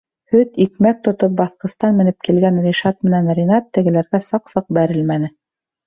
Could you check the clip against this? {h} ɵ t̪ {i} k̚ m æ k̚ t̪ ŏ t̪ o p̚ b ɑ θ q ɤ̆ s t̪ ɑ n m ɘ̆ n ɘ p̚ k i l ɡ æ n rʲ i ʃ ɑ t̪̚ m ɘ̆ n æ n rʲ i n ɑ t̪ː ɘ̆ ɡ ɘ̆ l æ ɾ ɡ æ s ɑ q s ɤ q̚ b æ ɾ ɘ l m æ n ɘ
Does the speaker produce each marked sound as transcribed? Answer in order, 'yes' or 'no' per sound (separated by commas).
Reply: yes, yes